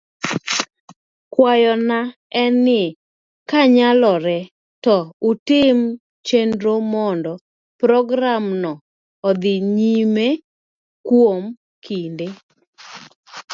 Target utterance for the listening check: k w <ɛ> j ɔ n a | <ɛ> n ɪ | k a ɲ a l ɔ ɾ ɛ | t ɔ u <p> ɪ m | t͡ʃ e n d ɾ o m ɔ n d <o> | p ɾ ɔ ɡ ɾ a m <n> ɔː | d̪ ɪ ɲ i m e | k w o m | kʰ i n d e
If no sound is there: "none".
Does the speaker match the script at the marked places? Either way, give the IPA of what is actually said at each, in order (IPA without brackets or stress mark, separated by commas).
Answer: a, ɛ, t, ɔ, n